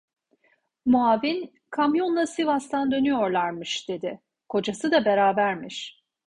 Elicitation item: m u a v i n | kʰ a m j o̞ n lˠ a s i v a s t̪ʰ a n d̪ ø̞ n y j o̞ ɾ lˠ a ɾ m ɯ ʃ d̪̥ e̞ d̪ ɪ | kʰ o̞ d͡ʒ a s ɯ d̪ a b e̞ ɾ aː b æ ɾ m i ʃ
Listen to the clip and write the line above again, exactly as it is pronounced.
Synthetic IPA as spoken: m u a v i n | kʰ a m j o̞ n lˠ a s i v a s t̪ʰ a n d̪ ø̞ n y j o̞ ɾ lˠ a ɾ m ɯ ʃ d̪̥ e̞ d̪ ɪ | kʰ o̞ d͡ʒ a s ɯ d̪ a b e̞ ɾ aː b æ ɾ m i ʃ